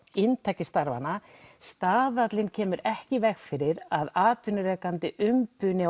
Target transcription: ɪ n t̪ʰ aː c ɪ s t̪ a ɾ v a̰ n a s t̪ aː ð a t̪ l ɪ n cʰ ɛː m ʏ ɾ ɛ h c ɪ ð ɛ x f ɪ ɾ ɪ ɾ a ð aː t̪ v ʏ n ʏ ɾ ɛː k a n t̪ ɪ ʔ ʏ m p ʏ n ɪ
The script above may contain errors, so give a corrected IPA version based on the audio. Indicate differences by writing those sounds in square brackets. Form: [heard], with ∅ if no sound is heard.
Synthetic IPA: ɪ n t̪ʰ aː c ɪ s t̪ a ɾ v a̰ n a s t̪ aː ð a t̪ l ɪ n cʰ ɛː m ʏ ɾ ɛ h c ɪ [v] ɛ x f ɪ ɾ ɪ ɾ a ð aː t̪ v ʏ n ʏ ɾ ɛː k a n t̪ ɪ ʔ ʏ m p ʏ n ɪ